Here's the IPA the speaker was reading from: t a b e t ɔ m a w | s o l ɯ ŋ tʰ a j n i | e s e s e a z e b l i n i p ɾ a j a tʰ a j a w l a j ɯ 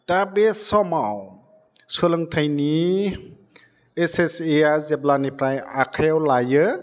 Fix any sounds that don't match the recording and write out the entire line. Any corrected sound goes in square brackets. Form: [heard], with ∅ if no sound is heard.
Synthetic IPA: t a b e [s] ɔ m a w | s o l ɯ ŋ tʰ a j n i | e s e s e a z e b l [a] n i p ɾ a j a [kʰ] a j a w l a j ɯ